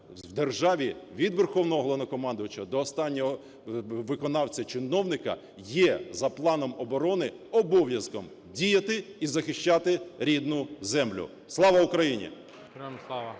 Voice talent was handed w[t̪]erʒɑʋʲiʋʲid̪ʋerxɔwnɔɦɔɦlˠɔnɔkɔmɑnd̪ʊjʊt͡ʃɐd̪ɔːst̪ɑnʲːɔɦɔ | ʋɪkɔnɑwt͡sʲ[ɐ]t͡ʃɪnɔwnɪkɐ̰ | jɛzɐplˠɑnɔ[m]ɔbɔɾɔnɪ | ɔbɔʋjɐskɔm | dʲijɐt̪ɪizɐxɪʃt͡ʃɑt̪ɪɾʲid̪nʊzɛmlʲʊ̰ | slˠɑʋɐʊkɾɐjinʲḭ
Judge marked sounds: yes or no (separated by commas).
no, yes, yes